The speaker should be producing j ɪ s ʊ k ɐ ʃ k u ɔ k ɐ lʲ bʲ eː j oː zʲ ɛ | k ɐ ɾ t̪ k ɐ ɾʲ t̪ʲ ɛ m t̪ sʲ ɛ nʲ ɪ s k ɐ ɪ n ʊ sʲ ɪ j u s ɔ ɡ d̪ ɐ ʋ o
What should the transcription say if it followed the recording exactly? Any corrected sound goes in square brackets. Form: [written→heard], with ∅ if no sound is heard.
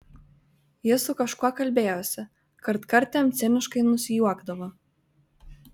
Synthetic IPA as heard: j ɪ s ʊ k ɐ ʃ k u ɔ k ɐ lʲ bʲ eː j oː [zʲ→sʲ] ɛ | k ɐ ɾ t̪ k ɐ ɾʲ t̪ʲ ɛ m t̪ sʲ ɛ nʲ ɪ [s→ʃ] k ɐ ɪ n ʊ sʲ ɪ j u [s→∅] ɔ ɡ d̪ ɐ ʋ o